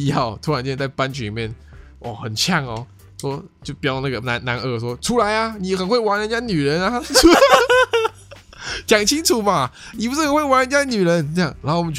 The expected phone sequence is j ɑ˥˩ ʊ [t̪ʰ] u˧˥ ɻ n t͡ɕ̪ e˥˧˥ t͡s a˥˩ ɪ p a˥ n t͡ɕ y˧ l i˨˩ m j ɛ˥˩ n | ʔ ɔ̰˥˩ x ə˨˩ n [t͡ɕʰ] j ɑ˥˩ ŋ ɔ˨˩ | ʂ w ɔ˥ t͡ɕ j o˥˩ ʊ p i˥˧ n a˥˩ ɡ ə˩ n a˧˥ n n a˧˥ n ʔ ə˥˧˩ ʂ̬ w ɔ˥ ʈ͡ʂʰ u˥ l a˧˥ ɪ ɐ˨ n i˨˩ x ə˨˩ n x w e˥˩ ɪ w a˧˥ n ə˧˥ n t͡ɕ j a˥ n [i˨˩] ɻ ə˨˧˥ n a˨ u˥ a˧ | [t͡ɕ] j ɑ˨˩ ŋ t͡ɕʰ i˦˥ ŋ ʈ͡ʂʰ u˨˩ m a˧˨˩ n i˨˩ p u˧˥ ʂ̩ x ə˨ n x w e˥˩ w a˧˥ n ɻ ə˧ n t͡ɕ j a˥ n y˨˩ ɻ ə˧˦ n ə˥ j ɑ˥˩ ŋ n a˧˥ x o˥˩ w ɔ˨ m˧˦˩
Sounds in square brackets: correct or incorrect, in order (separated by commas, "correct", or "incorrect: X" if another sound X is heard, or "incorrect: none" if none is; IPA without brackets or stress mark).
correct, correct, incorrect: y˨˩, correct